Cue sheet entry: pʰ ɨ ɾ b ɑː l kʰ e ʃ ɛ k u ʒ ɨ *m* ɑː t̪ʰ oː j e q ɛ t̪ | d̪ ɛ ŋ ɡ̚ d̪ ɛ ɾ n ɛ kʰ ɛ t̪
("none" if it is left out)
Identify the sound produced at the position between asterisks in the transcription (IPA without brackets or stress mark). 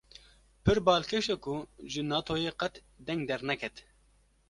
n